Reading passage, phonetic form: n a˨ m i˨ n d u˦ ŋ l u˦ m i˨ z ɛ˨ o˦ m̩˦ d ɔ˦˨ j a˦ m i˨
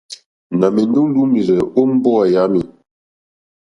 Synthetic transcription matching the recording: n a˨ m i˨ n d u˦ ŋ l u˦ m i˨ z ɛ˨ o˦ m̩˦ b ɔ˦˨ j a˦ m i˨